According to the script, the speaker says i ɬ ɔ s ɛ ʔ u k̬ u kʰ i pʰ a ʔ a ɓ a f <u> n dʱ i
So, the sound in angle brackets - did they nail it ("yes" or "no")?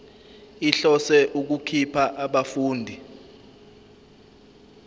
no